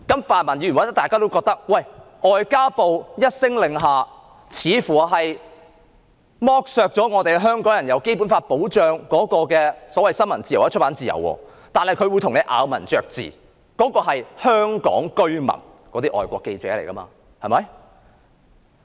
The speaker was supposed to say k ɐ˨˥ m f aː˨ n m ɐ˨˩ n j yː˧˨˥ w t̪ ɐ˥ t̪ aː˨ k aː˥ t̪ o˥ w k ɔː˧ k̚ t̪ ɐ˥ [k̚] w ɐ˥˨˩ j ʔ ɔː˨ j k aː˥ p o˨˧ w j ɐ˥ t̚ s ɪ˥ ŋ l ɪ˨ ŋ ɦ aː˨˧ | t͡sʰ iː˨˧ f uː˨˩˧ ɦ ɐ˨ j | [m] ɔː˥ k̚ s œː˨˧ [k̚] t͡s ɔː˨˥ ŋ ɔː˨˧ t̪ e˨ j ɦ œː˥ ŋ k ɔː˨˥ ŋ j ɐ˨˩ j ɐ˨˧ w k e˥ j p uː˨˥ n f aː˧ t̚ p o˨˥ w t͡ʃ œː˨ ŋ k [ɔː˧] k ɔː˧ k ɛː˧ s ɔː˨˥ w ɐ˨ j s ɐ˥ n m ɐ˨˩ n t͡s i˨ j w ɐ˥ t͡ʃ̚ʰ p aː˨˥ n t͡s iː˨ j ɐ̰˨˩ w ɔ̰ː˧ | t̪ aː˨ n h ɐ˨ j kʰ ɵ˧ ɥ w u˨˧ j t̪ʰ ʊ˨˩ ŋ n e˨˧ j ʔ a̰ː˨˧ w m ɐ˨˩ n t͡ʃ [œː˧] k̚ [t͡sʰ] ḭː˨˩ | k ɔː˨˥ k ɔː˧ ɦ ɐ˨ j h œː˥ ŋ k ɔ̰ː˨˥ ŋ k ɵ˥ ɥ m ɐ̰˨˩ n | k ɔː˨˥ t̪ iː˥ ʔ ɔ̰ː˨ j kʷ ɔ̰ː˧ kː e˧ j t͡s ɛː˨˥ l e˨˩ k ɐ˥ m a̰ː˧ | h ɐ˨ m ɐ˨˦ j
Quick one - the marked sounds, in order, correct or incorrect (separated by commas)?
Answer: correct, correct, correct, incorrect, correct, incorrect